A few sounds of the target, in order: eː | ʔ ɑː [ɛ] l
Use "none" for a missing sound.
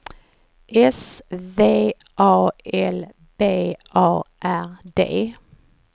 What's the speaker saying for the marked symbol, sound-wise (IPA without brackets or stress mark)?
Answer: ɛ